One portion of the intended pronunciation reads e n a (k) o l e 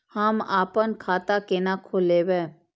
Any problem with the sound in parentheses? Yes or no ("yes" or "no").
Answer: yes